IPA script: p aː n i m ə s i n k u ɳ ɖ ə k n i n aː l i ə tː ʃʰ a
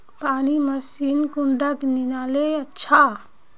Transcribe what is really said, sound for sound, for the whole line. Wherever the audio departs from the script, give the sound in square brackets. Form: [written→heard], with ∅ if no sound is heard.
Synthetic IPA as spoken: p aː n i m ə s i n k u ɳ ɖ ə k n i n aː l [i→e] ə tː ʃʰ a